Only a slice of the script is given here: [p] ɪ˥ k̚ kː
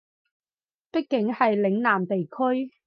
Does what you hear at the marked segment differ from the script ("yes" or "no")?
no